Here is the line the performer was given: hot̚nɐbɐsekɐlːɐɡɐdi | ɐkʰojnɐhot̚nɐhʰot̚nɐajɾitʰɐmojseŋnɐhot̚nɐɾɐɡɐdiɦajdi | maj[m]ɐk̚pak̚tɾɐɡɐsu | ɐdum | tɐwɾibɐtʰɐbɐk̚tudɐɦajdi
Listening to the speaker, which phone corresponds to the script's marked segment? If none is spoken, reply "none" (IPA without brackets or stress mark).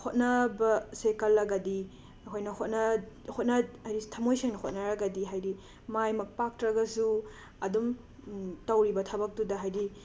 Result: m